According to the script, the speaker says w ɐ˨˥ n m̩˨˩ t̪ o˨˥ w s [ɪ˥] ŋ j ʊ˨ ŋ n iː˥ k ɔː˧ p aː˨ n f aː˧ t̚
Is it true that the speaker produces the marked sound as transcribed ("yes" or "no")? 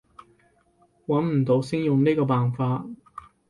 yes